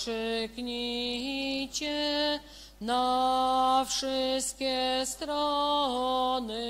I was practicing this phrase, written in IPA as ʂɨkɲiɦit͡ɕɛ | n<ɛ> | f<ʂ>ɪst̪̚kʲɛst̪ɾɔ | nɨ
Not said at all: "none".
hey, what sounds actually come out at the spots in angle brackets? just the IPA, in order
a, ʂ

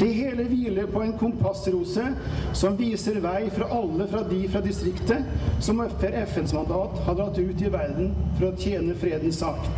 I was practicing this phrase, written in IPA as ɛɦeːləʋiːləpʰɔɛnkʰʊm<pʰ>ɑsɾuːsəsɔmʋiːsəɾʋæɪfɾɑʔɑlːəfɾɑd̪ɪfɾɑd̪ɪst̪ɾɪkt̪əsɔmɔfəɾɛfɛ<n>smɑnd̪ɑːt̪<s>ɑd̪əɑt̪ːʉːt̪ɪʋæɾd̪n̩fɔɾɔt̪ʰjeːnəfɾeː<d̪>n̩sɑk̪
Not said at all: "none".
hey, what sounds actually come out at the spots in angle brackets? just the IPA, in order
pʰ, n, h, d̪

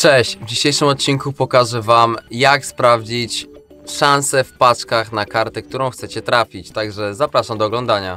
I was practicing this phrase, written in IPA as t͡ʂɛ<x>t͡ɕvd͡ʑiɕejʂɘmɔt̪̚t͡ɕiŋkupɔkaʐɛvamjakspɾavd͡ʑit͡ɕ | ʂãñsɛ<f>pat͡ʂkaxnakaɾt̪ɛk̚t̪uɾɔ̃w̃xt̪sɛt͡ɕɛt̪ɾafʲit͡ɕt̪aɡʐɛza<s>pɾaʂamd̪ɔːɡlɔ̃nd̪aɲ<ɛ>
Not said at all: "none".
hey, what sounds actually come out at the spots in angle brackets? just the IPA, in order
ɕ, f, none, a

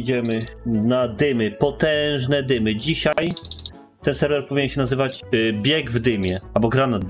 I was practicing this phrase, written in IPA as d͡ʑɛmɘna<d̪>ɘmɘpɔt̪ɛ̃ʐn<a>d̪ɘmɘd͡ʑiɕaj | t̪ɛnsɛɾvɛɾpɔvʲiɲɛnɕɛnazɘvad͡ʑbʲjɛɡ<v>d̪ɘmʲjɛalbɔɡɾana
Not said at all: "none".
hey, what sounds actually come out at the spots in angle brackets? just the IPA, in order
d̪, ɛ, v

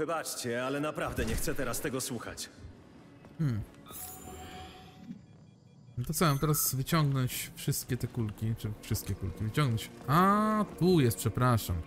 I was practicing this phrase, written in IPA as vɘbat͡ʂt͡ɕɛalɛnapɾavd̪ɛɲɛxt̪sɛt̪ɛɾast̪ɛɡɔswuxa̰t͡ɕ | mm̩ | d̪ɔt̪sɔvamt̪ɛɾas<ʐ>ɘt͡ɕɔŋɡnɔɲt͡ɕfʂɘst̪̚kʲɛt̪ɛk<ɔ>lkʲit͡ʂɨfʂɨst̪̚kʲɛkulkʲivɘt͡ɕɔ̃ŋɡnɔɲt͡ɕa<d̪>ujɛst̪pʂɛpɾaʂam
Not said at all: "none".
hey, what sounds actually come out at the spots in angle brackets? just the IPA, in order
v, u, t̪

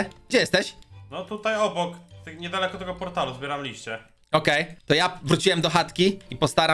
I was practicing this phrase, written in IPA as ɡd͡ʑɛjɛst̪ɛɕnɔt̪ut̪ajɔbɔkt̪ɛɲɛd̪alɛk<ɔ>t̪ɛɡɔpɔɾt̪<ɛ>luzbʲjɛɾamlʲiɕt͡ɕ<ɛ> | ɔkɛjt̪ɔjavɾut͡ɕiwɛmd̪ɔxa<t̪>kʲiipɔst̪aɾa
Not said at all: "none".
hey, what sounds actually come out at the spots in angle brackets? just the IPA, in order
ɔ, a, ɛ, t̪

